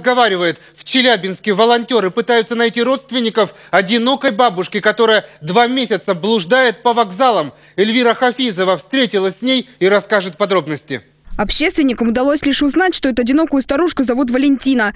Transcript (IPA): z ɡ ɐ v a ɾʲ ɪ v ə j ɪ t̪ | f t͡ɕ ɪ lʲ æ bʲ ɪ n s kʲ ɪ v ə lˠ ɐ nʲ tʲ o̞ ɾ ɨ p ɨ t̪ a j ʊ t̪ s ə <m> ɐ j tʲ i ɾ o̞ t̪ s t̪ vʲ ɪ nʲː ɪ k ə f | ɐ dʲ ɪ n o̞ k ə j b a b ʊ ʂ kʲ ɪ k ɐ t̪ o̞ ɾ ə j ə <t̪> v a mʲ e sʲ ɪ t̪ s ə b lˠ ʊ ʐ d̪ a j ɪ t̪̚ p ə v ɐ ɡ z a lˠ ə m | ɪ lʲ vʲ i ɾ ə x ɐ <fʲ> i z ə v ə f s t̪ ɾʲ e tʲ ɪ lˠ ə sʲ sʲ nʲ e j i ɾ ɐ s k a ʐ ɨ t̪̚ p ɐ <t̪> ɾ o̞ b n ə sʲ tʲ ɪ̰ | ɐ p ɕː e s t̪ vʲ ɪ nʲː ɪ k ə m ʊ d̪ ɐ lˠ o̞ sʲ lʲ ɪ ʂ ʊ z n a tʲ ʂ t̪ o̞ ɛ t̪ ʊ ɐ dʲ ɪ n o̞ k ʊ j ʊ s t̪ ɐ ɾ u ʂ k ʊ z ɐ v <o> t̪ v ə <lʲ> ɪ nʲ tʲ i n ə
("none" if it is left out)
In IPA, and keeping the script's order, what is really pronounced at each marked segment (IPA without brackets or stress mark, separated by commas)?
n, d̪, fʲ, d̪, u, lʲ